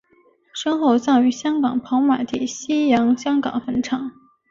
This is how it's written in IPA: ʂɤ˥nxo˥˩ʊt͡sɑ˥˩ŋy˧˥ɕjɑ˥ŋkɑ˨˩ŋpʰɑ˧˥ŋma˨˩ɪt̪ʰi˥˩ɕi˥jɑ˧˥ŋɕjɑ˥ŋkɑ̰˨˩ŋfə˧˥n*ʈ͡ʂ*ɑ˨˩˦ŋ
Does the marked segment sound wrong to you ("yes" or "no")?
yes